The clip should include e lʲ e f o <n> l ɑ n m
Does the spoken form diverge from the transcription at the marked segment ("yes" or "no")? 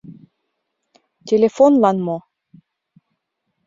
no